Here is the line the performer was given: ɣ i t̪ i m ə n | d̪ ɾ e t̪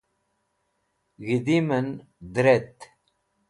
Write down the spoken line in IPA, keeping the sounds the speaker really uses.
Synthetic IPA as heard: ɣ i d̪ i m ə n | d̪ ɾ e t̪

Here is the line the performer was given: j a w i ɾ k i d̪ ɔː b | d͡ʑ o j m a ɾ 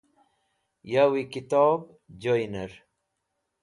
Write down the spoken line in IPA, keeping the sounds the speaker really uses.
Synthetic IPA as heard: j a w i k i t̪ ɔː b | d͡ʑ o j n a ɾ

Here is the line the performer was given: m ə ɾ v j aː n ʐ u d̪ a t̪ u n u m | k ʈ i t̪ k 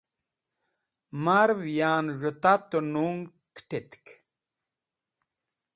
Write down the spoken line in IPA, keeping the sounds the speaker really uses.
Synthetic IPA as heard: m a ɾ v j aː n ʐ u t̪ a t̪ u n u ŋ | k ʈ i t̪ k

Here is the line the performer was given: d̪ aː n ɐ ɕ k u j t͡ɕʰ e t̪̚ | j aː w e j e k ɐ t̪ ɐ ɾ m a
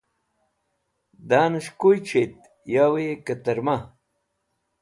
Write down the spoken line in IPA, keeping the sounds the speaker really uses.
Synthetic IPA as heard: d̪ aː n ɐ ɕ k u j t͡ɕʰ e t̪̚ | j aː w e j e k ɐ t̪ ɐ ɾ m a

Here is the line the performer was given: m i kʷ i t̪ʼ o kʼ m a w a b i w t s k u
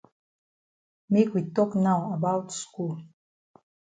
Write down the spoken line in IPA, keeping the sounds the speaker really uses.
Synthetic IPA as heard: m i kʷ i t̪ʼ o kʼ n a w a b a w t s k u

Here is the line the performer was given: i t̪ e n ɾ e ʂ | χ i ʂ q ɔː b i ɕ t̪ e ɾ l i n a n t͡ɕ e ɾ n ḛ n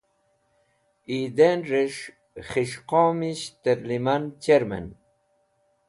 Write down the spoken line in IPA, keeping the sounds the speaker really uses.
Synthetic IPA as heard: i d̪ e n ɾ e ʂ | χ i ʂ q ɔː m i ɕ t̪ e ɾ l i m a n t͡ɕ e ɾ m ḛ n

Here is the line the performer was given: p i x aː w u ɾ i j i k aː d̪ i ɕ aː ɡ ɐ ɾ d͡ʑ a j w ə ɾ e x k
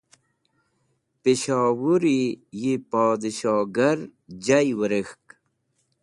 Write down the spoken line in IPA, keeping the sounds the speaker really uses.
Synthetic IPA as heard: p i ɕ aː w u ɾ i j i p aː d̪ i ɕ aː ɡ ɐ ɾ d͡ʑ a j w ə ɾ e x k

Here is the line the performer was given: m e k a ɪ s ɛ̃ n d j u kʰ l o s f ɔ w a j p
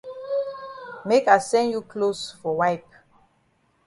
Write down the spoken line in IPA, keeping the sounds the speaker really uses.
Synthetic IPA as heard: m e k a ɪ s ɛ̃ n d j u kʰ l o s f ɔ w a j p

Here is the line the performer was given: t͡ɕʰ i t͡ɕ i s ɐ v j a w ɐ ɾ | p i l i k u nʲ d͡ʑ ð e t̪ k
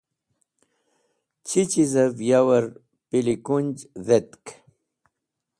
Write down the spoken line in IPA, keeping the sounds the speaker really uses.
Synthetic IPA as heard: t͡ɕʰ i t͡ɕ i z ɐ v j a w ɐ ɾ | p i l i k u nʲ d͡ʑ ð e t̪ k

